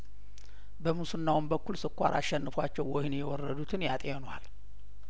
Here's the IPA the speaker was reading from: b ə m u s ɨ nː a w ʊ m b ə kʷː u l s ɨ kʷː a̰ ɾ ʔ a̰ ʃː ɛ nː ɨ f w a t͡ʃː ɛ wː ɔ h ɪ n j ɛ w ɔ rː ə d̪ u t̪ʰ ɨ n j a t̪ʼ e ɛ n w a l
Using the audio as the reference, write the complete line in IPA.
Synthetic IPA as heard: b ə m u s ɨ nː a w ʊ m b ə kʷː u l s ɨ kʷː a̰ ɾ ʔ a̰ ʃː ɛ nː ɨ f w a t͡ʃː ɛ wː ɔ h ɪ n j ɛ w ɔ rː ə d̪ u t̪ʰ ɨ n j a t̪ʼ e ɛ n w a l